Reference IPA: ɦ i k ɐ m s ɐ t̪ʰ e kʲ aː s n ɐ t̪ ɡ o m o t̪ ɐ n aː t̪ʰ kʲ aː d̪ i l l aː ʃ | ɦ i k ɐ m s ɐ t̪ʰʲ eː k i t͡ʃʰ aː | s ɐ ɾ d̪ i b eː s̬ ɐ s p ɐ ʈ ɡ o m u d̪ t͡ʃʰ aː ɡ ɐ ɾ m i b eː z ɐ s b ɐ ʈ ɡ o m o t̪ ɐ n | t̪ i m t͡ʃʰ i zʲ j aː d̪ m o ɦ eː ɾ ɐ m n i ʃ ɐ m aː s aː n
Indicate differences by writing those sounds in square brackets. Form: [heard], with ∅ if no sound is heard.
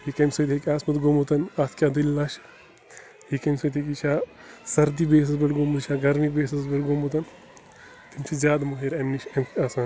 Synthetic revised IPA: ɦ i k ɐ m s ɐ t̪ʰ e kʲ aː s [m] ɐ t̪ ɡ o m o t̪ ɐ n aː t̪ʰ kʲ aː d̪ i l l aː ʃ | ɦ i k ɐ m s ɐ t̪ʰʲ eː k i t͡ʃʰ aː | s ɐ ɾ d̪ i b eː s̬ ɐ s [b] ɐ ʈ ɡ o m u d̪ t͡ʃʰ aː ɡ ɐ ɾ m i b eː [s] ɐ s b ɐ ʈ ɡ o m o t̪ ɐ n | t̪ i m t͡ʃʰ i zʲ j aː d̪ m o ɦ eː ɾ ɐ m n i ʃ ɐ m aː s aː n